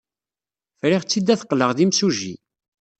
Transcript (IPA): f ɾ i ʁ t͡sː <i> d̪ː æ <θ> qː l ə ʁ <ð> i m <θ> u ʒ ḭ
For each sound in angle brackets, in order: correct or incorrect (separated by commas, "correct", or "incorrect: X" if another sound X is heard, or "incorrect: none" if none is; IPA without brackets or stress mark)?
correct, correct, correct, incorrect: s